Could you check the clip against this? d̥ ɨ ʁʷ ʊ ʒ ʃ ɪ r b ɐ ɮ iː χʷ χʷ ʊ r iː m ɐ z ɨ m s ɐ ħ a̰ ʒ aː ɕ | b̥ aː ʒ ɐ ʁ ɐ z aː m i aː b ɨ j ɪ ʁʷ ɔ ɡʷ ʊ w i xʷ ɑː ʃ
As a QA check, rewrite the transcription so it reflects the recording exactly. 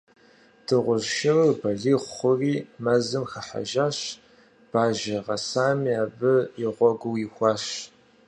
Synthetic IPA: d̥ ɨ ʁʷ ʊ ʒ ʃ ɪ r b ɐ ɮ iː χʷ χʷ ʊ r iː m ɐ z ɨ m x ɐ ħ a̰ ʒ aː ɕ | b̥ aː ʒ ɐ ʁ ɐ s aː m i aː b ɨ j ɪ ʁʷ ɔ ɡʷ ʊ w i xʷ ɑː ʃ